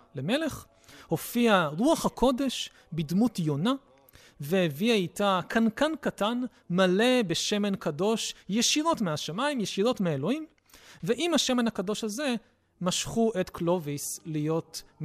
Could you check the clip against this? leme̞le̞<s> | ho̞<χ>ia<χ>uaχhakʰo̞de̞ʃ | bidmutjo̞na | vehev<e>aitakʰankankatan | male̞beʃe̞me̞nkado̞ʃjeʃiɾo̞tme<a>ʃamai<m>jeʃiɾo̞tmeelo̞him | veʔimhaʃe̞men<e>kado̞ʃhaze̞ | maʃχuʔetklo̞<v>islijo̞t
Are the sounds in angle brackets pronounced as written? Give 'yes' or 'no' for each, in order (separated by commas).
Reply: no, no, no, no, yes, yes, no, yes